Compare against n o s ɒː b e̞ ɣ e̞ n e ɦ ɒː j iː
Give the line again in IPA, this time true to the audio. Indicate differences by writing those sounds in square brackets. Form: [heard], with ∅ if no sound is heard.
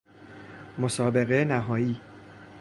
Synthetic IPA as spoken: [m] o s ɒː b e̞ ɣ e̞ n [æ] ɦ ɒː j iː